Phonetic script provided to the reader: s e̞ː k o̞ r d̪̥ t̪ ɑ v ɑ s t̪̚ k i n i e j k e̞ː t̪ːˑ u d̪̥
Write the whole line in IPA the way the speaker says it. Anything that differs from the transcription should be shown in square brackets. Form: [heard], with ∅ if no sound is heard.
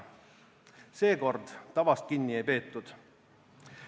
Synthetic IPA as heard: s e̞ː k o̞ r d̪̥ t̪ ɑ v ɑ s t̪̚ k i [nː] i e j [p] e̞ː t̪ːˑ u d̪̥